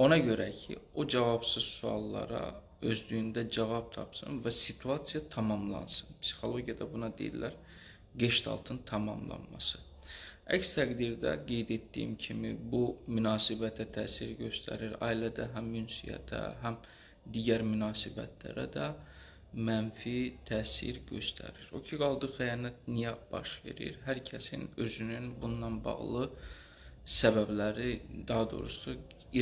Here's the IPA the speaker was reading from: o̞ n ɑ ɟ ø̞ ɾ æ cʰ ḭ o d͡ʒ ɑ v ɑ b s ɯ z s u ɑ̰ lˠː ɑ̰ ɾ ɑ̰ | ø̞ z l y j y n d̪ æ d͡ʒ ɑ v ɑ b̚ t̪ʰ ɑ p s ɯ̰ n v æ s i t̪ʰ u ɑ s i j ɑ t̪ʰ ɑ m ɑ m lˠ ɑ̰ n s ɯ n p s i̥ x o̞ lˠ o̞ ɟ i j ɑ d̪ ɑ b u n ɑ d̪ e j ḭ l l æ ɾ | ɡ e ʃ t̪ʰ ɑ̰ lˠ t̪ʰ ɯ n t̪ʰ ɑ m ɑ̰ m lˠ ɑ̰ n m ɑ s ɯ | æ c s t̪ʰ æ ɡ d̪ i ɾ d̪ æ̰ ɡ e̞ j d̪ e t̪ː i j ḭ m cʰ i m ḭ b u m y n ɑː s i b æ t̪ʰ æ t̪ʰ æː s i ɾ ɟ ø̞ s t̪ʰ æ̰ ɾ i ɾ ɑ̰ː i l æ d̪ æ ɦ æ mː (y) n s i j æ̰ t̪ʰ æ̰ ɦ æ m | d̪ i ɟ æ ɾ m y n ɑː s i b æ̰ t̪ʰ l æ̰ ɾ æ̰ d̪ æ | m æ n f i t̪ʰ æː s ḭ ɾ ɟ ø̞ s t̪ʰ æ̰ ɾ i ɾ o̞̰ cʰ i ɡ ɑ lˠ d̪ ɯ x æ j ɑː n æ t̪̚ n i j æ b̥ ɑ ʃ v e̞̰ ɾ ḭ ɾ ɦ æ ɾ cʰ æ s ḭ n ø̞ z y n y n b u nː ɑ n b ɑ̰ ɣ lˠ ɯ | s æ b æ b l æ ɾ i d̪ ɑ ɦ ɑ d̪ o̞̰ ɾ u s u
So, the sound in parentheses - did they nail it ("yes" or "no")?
yes